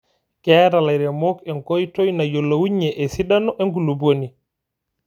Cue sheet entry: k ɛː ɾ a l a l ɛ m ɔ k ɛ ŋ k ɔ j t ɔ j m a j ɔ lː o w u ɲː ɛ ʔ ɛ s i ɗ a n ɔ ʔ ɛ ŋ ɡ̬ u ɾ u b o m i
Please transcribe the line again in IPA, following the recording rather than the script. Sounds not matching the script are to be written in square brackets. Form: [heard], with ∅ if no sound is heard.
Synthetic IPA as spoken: k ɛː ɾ a l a [ɾ] ɛ m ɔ k ɛ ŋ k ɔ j t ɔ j [n] a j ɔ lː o w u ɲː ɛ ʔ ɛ s i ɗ a n ɔ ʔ ɛ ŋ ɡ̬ u [l] u b o [n] i